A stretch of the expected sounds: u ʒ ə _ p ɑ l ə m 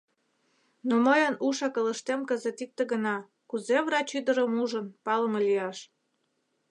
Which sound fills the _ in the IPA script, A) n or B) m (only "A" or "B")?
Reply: A